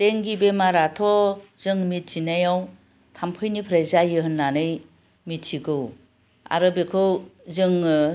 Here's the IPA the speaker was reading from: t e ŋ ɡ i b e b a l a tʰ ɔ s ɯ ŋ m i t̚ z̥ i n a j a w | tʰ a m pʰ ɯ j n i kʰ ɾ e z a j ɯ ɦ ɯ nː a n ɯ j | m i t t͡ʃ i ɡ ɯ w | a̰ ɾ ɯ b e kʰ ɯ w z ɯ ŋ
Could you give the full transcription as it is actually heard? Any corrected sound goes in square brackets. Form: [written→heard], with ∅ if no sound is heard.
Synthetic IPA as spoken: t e ŋ ɡ i b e [b→m] a [l→ɾ] a tʰ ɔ [s→z] ɯ ŋ m i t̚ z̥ i n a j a w | tʰ a m pʰ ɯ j n i [kʰ→pʰ] ɾ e z a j ɯ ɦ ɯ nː a n ɯ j | m i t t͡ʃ i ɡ ɯ w | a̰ ɾ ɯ b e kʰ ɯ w z ɯ ŋ